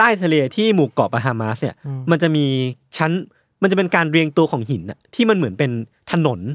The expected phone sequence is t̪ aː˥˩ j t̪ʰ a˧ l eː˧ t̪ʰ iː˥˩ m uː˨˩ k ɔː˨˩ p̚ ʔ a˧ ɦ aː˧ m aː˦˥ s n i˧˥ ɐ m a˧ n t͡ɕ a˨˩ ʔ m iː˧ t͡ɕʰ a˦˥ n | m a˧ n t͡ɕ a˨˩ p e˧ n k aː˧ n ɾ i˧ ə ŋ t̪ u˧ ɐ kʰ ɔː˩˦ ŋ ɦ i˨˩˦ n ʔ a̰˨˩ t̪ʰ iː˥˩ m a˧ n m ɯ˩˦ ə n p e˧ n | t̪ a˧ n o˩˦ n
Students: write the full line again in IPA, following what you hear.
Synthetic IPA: t̪ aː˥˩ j t̪ʰ a˧ l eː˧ t̪ʰ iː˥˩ m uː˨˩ k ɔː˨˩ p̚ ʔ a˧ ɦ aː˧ m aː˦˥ s n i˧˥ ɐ m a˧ n t͡ɕ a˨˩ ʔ m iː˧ t͡ɕʰ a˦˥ n | m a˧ n t͡ɕ a˨˩ p e˧ n k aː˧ n ɾ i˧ ə ŋ t̪ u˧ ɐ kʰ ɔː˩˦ ŋ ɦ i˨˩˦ n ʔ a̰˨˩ t̪ʰ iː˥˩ m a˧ n m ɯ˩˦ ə n p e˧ n | t̪ʰ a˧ n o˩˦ n